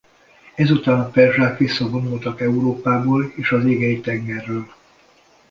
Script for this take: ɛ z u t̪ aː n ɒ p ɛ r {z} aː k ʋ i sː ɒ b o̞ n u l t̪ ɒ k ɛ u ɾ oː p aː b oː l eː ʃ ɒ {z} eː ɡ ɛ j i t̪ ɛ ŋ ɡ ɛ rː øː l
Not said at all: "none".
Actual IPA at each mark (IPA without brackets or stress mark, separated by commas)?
ʒ, z